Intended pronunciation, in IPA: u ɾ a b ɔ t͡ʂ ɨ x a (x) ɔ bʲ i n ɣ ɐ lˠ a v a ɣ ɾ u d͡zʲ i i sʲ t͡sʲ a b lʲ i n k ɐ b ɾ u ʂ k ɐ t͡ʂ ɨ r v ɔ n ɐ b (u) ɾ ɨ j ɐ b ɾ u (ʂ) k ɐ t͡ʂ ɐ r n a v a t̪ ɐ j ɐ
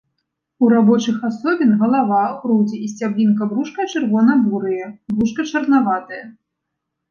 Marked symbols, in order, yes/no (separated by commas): no, yes, yes